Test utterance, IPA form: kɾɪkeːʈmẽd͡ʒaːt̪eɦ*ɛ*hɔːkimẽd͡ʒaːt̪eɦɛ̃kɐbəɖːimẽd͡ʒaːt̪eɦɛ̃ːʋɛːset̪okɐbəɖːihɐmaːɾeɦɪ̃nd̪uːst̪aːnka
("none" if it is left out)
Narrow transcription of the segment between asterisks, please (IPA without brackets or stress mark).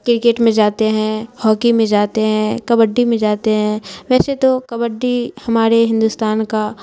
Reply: ɛ̃